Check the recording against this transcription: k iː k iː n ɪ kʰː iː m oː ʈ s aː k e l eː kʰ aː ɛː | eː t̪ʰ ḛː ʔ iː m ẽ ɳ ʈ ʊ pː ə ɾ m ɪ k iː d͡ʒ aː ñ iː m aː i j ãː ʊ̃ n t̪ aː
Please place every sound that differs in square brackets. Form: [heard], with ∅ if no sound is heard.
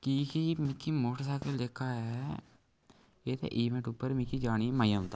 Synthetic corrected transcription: k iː k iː [m] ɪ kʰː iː m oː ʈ s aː k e l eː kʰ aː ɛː | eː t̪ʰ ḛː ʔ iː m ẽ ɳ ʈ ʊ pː ə ɾ m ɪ k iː d͡ʒ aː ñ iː m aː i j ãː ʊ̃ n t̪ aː